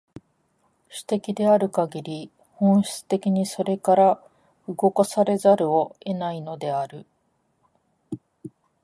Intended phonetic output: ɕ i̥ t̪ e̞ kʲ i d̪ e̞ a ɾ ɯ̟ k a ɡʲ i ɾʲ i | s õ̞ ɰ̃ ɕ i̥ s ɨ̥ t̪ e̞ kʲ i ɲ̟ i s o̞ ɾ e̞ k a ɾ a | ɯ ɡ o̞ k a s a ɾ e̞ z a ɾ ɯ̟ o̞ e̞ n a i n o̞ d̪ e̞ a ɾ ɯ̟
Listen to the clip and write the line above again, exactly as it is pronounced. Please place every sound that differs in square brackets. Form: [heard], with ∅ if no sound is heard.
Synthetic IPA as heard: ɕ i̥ t̪ e̞ kʲ i d̪ e̞ a ɾ ɯ̟ k a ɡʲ i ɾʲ i | [h] õ̞ ɰ̃ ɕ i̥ [t͡s] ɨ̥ t̪ e̞ kʲ i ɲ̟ i s o̞ ɾ e̞ k a ɾ a | ɯ ɡ o̞ k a s a ɾ e̞ z a ɾ ɯ̟ o̞ e̞ n a i n o̞ d̪ e̞ a ɾ ɯ̟

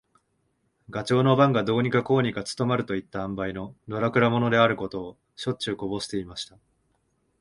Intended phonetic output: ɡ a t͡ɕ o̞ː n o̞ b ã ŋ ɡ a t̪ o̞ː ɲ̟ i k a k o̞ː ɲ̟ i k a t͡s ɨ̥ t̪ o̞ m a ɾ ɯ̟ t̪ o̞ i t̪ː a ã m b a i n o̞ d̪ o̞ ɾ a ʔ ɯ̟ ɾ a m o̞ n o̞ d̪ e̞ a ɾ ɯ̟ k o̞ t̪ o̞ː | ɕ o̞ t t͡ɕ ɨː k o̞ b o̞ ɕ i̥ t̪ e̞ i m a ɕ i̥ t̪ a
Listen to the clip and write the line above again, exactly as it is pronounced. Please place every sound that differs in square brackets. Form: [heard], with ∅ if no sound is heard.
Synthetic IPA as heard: ɡ a t͡ɕ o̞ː n o̞ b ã ŋ ɡ a [d̪] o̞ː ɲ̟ i k a k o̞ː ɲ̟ i k a t͡s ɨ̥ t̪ o̞ m a ɾ ɯ̟ t̪ o̞ i t̪ː a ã m b a i n o̞ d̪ o̞ ɾ a [k] ɯ̟ ɾ a m o̞ n o̞ d̪ e̞ a ɾ ɯ̟ k o̞ t̪ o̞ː | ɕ o̞ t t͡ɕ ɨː k o̞ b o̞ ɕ i̥ t̪ e̞ i m a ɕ i̥ t̪ a

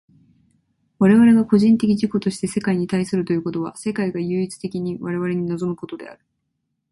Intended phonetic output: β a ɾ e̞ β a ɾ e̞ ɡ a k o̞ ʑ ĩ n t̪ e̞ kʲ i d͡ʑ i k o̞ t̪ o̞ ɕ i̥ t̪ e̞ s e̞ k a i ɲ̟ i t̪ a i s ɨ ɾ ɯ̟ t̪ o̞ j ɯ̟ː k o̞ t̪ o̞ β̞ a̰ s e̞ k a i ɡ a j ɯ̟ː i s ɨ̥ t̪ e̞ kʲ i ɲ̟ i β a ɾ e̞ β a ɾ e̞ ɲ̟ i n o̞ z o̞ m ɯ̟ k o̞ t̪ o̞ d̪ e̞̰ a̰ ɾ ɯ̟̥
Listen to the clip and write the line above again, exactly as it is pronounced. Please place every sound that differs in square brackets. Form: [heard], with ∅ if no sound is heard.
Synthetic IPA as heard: β a ɾ e̞ β a ɾ e̞ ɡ a k o̞ ʑ ĩ n t̪ e̞ kʲ i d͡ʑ i k o̞ t̪ o̞ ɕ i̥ t̪ e̞ s e̞ k a i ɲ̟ i t̪ a i s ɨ ɾ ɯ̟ t̪ o̞ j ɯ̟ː k o̞ t̪ o̞ β̞ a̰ s e̞ k a i ɡ a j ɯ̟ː i [t͡s] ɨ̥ t̪ e̞ kʲ i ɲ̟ i β a ɾ e̞ β a ɾ e̞ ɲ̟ i n o̞ z o̞ m ɯ̟ k o̞ t̪ o̞ d̪ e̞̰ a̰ ɾ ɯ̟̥

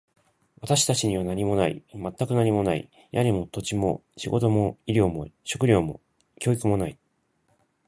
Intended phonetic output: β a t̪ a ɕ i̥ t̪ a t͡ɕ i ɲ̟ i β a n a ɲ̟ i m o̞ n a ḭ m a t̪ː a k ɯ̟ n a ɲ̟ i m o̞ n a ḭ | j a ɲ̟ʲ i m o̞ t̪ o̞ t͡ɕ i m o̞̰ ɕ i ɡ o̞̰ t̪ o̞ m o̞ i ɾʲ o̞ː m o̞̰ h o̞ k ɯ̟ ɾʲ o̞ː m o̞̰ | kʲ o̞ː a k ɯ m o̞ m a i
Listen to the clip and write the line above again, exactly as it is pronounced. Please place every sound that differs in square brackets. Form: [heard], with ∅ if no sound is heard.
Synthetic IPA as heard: β a t̪ a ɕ i̥ t̪ a t͡ɕ i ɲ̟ i β a n a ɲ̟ i m o̞ n a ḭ m a t̪ː a k ɯ̟ n a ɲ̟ i m o̞ n a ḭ | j a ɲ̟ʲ i m o̞ t̪ o̞ t͡ɕ i m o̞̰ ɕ i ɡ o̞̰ t̪ o̞ m o̞ i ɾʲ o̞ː m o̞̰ [ɕ] o̞ k ɯ̟ ɾʲ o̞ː m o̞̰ | kʲ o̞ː [i] k ɯ m o̞ [n] a i

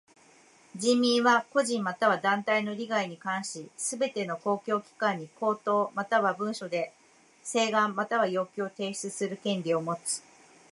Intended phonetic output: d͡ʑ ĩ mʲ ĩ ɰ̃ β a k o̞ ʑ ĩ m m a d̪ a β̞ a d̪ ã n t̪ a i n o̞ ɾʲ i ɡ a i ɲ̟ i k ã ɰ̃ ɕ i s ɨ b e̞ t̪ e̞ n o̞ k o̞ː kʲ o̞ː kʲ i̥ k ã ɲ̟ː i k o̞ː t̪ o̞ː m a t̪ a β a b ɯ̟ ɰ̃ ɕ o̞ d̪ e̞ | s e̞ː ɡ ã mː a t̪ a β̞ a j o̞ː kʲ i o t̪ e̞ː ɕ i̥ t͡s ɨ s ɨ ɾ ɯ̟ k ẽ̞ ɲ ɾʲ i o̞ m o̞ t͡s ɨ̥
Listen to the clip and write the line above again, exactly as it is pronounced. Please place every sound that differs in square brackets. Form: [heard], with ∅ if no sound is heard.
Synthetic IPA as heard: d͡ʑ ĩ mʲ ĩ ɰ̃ β a k o̞ ʑ ĩ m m a [t̪] a β̞ a d̪ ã n t̪ a i n o̞ ɾʲ i ɡ a i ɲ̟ i k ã ɰ̃ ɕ i s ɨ b e̞ t̪ e̞ n o̞ k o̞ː kʲ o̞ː kʲ i̥ k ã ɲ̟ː i k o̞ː t̪ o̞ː m a t̪ a β a b [ɯ̟̃] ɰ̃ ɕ o̞ d̪ e̞ | s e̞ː ɡ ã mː a t̪ a β̞ a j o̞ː kʲ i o t̪ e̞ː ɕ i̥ t͡s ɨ s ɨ ɾ ɯ̟ k ẽ̞ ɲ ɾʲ i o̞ m o̞ t͡s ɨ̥

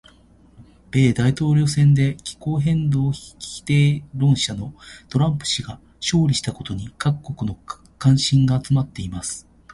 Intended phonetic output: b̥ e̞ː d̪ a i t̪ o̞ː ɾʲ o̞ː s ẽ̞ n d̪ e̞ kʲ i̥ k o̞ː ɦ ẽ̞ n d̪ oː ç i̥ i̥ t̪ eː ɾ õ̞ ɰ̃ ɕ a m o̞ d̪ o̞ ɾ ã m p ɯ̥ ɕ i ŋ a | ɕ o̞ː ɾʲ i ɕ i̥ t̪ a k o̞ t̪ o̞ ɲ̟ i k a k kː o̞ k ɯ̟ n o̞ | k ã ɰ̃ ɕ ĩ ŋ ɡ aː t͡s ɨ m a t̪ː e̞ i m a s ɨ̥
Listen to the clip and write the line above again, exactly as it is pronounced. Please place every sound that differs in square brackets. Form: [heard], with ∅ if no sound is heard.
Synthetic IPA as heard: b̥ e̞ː d̪ a i t̪ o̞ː ɾʲ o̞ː s ẽ̞ n d̪ e̞ kʲ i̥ k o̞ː ɦ ẽ̞ n d̪ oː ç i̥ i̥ t̪ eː ɾ õ̞ ɰ̃ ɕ a [n] o̞ [t̪] o̞ ɾ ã m p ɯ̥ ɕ i [ɡ] a | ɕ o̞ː ɾʲ i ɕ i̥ t̪ a k o̞ t̪ o̞ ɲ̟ i k a k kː o̞ k ɯ̟ n o̞ | k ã ɰ̃ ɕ ĩ ŋ ɡ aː t͡s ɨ m a t̪ː e̞ i m a s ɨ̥

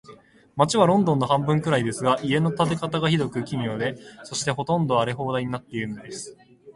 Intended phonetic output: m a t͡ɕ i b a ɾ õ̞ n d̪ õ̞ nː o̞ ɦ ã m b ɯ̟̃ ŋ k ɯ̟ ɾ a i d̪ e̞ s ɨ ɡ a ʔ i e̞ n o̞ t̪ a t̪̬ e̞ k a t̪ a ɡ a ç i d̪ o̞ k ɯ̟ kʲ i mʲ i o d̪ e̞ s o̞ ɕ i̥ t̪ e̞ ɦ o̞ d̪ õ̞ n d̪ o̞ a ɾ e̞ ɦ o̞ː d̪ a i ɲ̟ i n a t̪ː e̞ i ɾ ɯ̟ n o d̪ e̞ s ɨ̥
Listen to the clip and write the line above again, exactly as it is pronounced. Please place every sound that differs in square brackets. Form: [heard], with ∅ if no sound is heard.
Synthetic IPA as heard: m a t͡ɕ i [β] a ɾ õ̞ n d̪ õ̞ nː o̞ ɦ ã m b ɯ̟̃ ŋ k ɯ̟ ɾ a i d̪ e̞ s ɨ ɡ a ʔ i e̞ n o̞ t̪ a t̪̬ e̞ k a t̪ a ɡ a ç i d̪ o̞ k ɯ̟ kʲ i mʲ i o d̪ e̞ s o̞ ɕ i̥ t̪ e̞ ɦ o̞ [t̪] õ̞ n d̪ o̞ a ɾ e̞ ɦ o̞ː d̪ a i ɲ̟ i n a t̪ː e̞ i ɾ ɯ̟ n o d̪ e̞ s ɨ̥

